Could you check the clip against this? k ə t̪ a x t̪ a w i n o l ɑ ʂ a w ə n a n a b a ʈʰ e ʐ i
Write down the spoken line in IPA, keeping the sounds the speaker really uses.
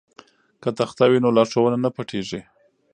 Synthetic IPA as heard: k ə t̪ a x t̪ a w i n o l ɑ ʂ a w ə n a n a p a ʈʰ e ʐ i